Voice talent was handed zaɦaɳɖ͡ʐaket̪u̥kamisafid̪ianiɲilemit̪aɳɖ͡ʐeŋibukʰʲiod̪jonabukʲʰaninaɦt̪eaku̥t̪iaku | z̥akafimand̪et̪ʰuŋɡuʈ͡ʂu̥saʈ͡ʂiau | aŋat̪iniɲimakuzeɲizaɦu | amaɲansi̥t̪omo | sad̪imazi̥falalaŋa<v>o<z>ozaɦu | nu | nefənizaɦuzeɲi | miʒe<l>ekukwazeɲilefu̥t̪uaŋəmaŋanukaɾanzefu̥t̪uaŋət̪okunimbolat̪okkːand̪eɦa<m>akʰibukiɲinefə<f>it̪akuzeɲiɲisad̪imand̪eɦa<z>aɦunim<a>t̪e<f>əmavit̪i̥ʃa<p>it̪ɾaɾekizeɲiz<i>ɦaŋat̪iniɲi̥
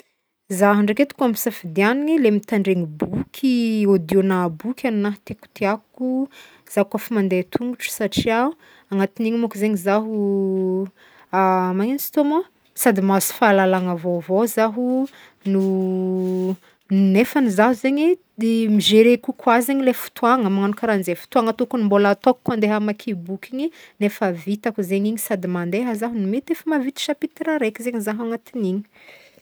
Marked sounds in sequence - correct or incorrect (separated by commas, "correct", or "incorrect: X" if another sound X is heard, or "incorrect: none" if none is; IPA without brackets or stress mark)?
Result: correct, incorrect: v, incorrect: ɾ, correct, incorrect: v, correct, incorrect: e, correct, correct, incorrect: a